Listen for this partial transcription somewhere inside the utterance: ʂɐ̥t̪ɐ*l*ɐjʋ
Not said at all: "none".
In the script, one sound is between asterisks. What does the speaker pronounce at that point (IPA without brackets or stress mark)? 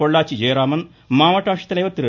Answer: l